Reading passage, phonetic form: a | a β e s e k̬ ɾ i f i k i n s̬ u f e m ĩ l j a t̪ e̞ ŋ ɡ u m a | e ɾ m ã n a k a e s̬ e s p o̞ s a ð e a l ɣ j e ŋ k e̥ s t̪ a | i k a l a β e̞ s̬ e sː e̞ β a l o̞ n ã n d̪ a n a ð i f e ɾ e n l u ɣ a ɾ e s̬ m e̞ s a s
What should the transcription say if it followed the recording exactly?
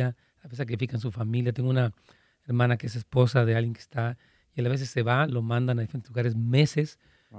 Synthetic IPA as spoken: a | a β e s a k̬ ɾ i f i k a n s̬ u f a m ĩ l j a t̪ e̞ ŋ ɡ u n a | e ɾ m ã n a k e e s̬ e s p o̞ s a ð e a l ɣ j e ŋ k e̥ s t̪ a | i a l a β e̞ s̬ e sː e̞ β a l o̞ m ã n d̪ a n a ð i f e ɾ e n l u ɣ a ɾ e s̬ m e̞ s e s